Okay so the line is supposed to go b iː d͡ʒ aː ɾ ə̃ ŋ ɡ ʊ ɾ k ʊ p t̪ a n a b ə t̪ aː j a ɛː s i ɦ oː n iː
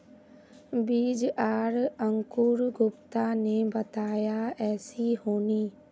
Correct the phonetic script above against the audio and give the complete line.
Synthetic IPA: b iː d͡ʒ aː ɾ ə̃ ŋ k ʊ ɾ ɡ ʊ p t̪ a n e b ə t̪ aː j a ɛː s i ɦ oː n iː

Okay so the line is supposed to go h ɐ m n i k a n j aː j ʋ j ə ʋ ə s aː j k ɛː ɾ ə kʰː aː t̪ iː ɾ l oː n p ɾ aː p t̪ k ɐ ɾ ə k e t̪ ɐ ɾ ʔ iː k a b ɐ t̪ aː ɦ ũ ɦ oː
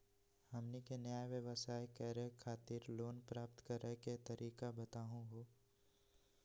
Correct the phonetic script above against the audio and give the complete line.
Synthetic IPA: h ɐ m n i k e n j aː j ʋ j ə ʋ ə s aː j k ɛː ɾ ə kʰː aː t̪ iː ɾ l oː n p ɾ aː p t̪ k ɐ ɾ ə k e t̪ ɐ ɾ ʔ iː k a b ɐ t̪ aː ɦ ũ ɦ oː

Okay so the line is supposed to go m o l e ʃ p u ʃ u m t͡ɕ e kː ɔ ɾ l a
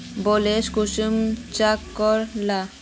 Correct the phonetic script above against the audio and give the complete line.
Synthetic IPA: b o l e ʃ k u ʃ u m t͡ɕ a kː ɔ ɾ l a

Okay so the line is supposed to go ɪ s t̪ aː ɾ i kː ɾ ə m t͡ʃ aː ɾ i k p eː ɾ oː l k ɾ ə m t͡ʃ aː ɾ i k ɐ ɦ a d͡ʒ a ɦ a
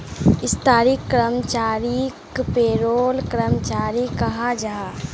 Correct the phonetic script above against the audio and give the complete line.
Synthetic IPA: ɪ s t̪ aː ɾ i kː ɾ ə m t͡ʃ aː ɾ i k p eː ɾ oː l k ɾ ə m t͡ʃ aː ɾ i k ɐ ɦ a d͡ʒ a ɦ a

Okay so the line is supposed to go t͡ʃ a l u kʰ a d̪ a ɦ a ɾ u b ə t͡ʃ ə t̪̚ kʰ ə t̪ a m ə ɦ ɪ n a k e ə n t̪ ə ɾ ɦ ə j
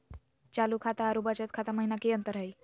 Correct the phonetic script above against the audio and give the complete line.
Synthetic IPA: t͡ʃ a l u kʰ a t̪ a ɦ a ɾ u b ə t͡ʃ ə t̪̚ kʰ a t̪ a m ə ɦ i n a k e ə n t̪ ə ɾ ɦ ə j

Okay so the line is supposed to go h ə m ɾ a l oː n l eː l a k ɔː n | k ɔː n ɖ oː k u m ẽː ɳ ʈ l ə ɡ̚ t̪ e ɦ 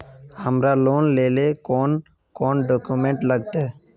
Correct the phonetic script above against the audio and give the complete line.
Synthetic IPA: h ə m ɾ a l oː n l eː l e k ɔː n | k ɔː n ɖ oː k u m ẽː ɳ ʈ l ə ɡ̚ t̪ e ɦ

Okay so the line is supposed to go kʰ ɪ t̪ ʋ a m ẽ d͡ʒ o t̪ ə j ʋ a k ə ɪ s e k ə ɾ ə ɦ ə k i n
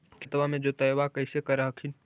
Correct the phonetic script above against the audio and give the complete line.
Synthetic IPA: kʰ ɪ t̪ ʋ a m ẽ d͡ʒ o t̪ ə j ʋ a k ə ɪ s e k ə ɾ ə ɦ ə kʰ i n

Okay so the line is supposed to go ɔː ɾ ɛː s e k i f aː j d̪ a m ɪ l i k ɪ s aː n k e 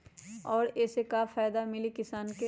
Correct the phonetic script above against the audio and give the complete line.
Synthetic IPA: ɔː ɾ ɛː s e k a f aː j d̪ a m ɪ l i k ɪ s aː n k e

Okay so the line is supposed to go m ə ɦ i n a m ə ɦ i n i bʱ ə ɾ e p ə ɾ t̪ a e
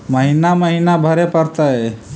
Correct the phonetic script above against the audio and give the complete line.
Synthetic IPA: m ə ɦ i n a m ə ɦ i n a bʱ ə ɾ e p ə ɾ t̪ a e

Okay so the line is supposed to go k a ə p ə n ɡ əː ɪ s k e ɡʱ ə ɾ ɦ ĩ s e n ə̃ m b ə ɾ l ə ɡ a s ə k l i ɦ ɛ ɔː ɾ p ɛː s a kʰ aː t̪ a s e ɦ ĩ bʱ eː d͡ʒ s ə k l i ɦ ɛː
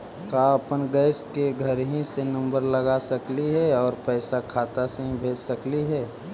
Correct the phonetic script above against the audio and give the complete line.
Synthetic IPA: k a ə p ə n ɡ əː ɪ s k e ɡʱ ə ɾ ɦ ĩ s e n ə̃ m b ə ɾ l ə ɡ a s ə k l i ɦ ɛ ɔː ɾ p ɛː s a kʰ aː t̪ a s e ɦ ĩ bʱ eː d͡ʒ s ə k l i ɦ ɛː

